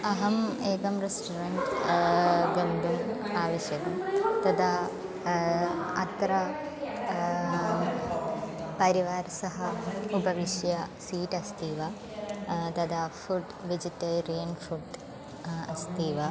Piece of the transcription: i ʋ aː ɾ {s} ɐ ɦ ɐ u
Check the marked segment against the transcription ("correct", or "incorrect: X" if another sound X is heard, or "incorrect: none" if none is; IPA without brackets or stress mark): correct